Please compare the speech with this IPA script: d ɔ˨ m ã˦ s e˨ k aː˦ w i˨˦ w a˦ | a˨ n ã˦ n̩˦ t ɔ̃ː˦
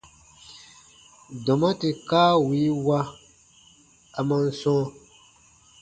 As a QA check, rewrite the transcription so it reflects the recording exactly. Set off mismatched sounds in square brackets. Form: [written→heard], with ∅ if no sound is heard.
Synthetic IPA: d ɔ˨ m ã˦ [s→t] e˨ k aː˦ w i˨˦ w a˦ | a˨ [n→m] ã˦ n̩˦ [t→s] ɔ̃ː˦

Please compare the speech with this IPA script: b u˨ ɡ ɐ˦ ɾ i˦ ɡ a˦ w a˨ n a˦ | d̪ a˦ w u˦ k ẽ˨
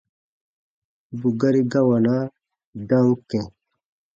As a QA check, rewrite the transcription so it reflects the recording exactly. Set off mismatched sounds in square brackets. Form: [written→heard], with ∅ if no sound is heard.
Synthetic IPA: b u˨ ɡ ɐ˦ ɾ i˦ ɡ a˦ w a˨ n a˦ | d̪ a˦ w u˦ k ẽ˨

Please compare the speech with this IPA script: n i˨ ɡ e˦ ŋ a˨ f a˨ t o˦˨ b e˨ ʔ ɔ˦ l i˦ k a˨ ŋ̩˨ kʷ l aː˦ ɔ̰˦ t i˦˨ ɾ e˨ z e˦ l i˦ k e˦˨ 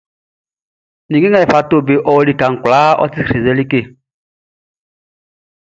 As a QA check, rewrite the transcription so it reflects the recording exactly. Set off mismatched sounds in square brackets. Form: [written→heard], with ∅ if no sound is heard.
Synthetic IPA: n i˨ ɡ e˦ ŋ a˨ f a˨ t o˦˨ b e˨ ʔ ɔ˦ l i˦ k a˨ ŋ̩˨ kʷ l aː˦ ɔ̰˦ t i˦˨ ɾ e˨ z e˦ l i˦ k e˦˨

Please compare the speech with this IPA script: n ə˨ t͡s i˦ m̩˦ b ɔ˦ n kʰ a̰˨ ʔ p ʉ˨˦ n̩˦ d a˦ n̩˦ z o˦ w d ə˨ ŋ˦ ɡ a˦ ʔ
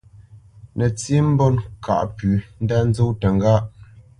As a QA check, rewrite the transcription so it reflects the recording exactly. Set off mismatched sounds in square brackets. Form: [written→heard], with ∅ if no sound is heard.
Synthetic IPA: n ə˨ t͡s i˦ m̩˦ b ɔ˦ n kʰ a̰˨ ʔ p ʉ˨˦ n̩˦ d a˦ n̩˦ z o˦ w [d→t] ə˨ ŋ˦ ɡ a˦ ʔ

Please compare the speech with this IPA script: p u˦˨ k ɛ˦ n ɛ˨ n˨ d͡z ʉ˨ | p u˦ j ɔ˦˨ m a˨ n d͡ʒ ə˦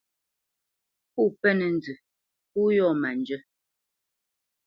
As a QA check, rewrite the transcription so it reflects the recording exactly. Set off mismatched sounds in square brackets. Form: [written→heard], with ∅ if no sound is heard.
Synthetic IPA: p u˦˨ [k→p] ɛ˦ n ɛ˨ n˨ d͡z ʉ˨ | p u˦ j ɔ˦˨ m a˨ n d͡ʒ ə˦

